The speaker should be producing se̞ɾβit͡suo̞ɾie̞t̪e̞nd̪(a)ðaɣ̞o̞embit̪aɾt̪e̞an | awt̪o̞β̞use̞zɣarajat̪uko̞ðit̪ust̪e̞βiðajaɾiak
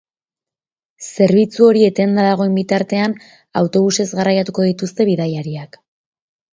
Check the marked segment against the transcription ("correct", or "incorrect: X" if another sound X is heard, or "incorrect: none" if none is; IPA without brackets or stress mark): correct